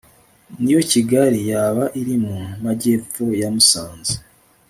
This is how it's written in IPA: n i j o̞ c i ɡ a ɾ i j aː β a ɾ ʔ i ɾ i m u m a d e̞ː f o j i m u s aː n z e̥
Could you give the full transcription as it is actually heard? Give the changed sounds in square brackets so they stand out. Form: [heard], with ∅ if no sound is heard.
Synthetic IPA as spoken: n i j o̞ c i ɡ a ɾ i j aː β a [∅] ʔ i ɾ i m u m a [ɟ] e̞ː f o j [a] m u s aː n z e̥